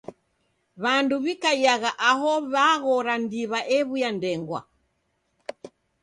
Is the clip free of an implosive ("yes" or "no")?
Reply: yes